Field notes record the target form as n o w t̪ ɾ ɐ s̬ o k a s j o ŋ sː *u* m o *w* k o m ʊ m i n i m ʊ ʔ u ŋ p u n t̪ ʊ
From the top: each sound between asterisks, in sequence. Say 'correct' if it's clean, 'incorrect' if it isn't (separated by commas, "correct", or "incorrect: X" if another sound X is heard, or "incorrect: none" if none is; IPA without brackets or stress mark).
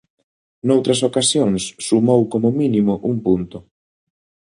correct, correct